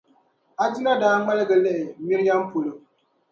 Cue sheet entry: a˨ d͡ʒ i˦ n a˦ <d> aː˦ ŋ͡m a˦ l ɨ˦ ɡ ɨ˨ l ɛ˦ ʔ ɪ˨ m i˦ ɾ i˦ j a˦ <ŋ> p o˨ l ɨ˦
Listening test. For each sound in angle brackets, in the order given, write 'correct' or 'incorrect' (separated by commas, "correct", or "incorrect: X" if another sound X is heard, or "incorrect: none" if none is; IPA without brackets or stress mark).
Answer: correct, incorrect: m